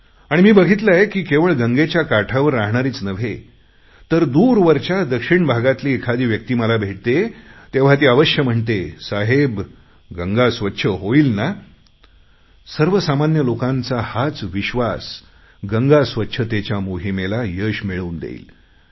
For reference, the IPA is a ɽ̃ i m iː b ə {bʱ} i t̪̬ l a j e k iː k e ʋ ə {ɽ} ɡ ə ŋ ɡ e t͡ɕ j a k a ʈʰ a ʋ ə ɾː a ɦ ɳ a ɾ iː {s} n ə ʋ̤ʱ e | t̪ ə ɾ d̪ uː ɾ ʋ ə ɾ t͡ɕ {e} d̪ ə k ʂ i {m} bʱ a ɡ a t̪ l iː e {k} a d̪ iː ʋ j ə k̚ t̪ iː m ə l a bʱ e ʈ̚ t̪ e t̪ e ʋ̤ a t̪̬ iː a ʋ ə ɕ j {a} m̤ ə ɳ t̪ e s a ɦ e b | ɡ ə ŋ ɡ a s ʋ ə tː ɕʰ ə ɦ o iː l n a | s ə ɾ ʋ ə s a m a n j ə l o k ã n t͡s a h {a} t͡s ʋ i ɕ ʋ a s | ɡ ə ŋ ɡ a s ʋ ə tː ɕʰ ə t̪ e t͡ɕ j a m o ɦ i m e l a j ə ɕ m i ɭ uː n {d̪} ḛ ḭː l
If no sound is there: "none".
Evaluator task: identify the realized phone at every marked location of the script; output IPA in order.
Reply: ɡʱ, ɭ, t͡s, a, ɳ, kʰ, ə, a, d̪

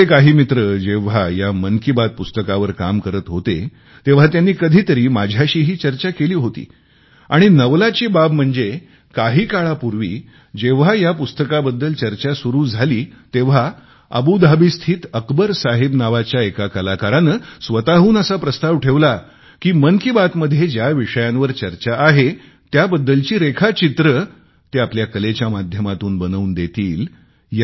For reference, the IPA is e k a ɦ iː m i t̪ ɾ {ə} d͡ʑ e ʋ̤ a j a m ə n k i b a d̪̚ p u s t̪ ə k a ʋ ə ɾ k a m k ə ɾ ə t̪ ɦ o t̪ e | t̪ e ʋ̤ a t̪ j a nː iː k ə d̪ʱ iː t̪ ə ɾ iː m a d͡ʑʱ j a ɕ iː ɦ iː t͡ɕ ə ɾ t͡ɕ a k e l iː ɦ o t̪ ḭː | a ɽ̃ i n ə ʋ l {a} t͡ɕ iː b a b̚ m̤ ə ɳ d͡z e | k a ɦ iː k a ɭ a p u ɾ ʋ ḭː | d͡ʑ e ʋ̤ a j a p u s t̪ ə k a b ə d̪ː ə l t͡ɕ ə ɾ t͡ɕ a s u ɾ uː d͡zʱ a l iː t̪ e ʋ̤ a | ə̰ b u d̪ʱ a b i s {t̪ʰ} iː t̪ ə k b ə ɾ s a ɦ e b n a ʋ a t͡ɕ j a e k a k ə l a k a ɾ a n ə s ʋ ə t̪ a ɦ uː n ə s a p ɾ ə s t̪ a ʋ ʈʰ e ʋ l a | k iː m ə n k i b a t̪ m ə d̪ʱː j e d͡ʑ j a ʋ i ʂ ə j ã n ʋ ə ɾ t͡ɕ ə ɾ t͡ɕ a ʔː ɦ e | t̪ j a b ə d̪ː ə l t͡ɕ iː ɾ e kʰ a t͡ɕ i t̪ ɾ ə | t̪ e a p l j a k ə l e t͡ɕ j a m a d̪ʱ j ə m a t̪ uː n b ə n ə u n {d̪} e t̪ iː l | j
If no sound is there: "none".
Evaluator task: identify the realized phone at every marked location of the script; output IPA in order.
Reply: ə, a, t̪ʰ, d̪

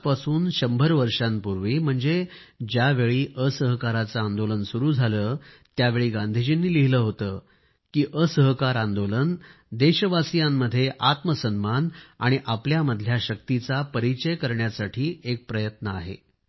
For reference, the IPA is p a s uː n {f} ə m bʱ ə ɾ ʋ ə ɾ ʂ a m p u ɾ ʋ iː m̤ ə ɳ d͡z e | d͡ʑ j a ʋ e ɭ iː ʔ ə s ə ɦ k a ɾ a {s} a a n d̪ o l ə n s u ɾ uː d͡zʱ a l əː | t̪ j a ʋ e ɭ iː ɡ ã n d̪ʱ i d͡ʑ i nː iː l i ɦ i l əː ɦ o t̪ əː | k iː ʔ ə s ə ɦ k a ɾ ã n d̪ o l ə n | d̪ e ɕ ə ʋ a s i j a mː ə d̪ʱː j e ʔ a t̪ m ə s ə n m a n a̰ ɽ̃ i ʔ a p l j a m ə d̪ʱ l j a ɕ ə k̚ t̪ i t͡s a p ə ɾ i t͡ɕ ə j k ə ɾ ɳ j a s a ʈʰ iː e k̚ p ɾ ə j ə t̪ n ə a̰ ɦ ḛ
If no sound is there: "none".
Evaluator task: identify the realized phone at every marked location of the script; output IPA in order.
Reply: ɕ, t͡s

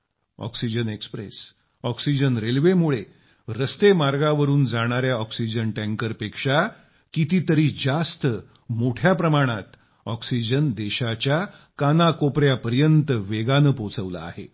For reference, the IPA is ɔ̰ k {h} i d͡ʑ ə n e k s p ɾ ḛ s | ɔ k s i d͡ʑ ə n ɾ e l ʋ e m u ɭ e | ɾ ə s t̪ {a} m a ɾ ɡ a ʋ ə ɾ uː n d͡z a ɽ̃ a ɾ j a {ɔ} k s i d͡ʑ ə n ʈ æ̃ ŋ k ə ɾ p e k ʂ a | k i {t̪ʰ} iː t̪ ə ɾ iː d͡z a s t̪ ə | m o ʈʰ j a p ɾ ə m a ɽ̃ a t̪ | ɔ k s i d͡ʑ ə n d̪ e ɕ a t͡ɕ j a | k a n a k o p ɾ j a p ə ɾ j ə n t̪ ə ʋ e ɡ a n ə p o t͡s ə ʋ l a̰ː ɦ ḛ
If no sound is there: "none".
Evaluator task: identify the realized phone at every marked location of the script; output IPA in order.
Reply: s, e, ɔ, t̪

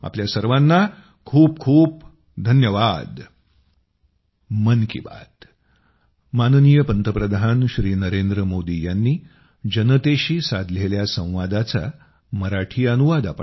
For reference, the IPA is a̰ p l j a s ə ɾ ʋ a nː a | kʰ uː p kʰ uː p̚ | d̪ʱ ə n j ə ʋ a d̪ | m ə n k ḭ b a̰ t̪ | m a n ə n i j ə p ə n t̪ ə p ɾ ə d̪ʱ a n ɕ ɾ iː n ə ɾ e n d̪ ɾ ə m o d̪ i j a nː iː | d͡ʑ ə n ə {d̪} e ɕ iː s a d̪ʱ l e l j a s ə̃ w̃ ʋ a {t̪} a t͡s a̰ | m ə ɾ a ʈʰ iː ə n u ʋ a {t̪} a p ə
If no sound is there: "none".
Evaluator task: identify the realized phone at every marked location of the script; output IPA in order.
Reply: t̪, d̪, d̪

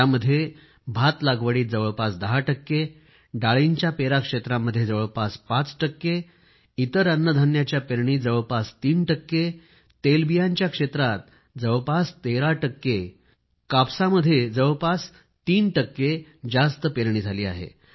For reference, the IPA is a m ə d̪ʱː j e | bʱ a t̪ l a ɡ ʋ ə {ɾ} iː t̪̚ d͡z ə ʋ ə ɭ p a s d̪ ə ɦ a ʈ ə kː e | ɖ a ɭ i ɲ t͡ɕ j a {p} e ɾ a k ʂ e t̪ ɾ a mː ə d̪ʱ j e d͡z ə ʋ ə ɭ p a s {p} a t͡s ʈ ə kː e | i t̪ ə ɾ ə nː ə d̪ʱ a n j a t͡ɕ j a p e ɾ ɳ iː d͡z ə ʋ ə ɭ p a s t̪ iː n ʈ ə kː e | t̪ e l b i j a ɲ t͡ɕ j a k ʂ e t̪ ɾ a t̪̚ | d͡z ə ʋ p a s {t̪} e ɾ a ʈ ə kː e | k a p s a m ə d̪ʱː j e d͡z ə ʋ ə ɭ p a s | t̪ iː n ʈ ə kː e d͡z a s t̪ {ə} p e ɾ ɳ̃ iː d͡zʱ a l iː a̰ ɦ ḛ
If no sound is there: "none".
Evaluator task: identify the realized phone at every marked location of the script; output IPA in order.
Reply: ɽ, p, p, t̪, ə

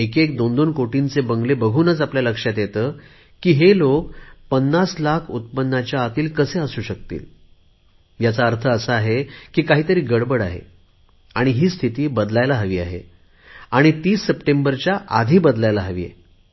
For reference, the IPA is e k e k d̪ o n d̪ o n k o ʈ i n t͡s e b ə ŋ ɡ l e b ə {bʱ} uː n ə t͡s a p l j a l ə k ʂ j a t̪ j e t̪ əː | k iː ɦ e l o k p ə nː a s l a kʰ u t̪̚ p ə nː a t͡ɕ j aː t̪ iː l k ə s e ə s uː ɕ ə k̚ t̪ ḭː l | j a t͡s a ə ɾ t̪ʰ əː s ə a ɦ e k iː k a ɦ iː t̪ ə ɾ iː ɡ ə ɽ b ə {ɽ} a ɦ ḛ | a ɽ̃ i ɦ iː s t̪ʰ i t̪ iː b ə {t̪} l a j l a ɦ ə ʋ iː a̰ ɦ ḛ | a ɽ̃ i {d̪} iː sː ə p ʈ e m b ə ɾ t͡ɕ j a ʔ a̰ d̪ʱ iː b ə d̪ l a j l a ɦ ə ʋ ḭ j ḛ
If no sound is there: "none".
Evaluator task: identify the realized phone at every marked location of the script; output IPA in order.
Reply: ɡʱ, ɽ, d̪, t̪

